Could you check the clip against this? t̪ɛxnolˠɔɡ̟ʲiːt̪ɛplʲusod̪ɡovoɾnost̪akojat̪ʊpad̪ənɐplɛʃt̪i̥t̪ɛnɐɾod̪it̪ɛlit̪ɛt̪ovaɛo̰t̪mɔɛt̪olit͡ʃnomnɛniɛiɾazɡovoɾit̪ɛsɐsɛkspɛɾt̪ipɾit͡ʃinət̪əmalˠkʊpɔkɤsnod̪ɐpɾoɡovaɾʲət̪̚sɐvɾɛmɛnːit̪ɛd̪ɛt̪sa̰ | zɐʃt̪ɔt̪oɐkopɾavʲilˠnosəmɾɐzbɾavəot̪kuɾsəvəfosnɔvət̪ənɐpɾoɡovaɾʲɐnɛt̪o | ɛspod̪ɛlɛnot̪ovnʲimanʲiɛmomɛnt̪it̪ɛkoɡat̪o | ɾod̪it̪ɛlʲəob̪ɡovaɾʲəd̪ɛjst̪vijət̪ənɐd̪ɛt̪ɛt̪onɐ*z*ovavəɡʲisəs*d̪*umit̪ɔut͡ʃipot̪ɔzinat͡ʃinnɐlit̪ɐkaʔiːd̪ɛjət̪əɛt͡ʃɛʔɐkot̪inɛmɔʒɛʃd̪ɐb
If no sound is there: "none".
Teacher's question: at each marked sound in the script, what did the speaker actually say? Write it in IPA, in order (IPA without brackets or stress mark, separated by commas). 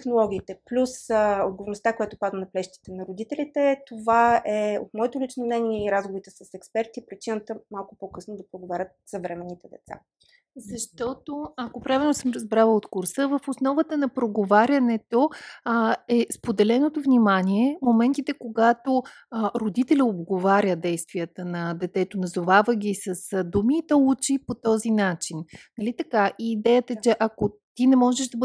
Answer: z, d̪